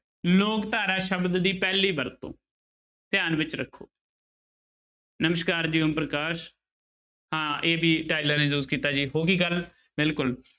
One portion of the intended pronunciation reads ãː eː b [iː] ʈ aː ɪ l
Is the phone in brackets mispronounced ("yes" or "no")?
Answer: no